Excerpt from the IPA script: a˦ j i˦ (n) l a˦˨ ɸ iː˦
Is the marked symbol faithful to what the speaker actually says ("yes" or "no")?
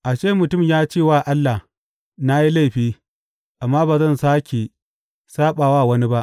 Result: no